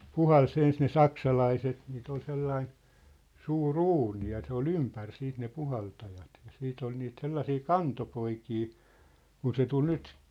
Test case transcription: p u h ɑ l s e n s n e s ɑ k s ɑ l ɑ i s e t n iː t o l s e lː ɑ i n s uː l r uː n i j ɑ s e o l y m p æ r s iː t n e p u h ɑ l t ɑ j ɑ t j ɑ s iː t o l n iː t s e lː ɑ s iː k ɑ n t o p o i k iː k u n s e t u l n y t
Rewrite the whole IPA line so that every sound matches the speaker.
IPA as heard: p u h ɑ l s e n s n e s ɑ k s ɑ l ɑ i s e t n iː t o l s e lː ɑ i n s uː r uː n i j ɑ s e o l y m p æ r s iː t n e p u h ɑ l t ɑ j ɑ t j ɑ s iː t o l n iː t s e lː ɑ s iː k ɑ n t o p o i k iː k u n s e t u l n y t